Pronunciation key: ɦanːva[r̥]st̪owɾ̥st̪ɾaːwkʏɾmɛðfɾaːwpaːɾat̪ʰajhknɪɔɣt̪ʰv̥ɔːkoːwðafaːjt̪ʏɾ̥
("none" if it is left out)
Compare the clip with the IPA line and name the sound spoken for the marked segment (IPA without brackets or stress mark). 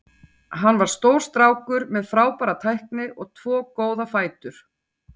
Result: ɾ̥